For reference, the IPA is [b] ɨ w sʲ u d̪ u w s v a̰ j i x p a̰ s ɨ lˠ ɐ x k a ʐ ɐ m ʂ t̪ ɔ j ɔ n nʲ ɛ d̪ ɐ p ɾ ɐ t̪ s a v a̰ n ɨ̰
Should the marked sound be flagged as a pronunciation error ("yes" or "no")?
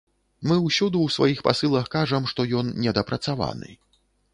yes